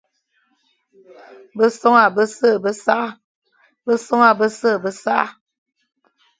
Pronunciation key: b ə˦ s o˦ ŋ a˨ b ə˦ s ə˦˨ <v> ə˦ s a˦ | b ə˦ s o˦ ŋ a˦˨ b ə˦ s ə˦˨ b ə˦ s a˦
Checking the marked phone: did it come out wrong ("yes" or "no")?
yes